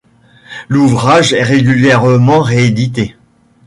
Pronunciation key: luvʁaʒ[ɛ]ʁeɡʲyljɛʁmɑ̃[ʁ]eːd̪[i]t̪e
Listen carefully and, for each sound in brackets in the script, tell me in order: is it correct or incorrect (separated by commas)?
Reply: correct, correct, correct